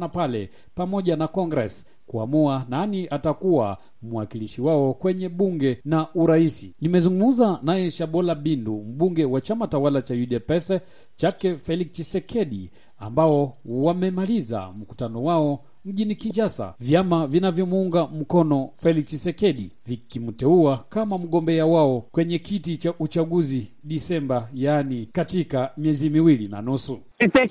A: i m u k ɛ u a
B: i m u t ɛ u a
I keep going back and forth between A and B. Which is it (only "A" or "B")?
B